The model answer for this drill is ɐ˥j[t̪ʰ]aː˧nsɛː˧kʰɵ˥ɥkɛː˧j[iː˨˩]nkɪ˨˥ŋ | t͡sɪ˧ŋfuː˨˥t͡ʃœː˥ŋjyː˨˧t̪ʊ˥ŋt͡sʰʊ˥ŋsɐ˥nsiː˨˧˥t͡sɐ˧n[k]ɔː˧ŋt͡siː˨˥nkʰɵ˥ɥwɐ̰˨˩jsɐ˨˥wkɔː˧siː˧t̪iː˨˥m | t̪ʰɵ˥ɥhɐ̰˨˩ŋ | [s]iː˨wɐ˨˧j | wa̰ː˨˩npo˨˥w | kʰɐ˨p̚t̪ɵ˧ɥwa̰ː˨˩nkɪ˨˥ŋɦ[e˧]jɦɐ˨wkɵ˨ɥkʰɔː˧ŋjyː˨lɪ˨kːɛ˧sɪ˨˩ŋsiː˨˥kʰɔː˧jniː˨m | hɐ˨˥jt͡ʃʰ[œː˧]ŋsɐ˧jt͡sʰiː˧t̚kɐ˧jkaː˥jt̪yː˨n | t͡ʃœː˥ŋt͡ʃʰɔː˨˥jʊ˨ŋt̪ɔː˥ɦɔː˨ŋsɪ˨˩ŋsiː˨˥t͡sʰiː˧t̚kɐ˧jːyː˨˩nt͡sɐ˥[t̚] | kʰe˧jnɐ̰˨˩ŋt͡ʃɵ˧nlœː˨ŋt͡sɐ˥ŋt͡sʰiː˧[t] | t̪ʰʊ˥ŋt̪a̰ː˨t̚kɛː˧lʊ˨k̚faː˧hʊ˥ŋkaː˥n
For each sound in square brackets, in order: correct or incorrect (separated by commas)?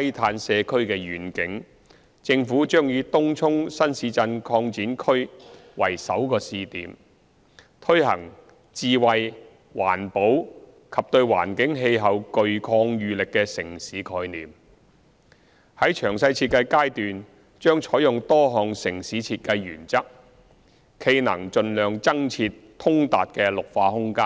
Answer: correct, incorrect, incorrect, incorrect, correct, incorrect, incorrect, correct